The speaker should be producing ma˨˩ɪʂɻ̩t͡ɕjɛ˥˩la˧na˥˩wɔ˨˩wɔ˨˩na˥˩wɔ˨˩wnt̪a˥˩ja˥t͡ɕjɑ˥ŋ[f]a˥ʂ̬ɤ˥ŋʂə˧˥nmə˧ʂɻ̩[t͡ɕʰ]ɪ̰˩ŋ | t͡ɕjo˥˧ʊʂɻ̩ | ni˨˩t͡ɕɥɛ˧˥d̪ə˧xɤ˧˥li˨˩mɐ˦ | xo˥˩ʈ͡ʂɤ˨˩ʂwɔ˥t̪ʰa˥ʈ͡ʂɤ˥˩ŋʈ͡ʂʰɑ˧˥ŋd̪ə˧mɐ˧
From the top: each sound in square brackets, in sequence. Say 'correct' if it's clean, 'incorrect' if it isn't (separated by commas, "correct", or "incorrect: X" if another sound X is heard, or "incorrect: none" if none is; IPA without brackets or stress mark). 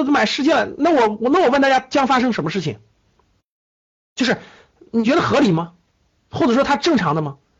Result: correct, correct